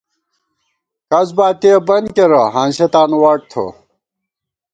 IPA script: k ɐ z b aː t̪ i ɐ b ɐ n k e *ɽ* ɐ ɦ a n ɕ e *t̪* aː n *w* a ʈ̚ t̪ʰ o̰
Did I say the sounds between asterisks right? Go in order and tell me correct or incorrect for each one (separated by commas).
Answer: incorrect, correct, correct